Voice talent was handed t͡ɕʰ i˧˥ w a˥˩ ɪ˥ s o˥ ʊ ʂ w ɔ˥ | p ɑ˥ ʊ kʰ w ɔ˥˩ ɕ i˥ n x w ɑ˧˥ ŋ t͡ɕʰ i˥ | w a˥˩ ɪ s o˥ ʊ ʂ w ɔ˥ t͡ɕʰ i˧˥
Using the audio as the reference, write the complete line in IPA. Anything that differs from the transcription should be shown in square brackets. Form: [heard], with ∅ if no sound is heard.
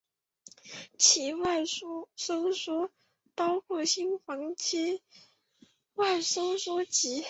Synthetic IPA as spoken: t͡ɕʰ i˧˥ w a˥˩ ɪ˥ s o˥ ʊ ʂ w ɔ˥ | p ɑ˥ ʊ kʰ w ɔ˥˩ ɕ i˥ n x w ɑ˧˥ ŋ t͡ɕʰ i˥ | w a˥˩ ɪ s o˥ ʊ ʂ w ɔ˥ [t͡ɕ] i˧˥